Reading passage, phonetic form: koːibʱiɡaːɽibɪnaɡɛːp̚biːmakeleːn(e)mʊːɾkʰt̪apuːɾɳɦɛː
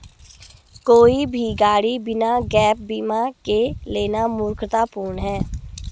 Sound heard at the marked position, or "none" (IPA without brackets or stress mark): a